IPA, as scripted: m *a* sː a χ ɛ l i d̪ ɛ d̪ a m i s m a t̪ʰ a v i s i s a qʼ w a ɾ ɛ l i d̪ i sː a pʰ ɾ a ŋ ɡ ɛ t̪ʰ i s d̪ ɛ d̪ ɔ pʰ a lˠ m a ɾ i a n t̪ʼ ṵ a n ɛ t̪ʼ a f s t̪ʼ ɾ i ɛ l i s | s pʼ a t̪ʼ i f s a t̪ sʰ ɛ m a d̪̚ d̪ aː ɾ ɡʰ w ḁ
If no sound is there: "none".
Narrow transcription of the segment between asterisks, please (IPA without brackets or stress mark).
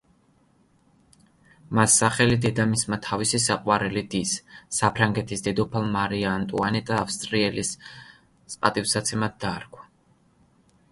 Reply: a